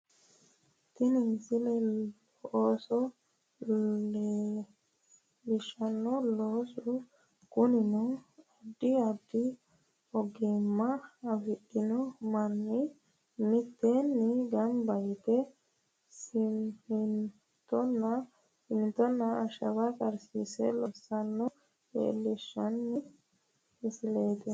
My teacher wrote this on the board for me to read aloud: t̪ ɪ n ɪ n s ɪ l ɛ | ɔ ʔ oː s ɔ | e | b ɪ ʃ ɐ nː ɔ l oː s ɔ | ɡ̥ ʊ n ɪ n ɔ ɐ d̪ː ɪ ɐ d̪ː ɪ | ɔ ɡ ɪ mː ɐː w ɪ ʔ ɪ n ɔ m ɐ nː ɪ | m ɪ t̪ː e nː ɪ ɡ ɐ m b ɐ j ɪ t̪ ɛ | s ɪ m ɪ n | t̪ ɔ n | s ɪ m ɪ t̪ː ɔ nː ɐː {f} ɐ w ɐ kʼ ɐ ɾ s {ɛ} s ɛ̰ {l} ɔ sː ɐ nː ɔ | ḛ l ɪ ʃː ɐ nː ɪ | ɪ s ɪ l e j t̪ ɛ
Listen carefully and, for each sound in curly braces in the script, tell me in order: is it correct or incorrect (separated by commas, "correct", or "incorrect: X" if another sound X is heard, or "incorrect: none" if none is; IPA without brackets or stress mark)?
incorrect: ʃ, incorrect: i, correct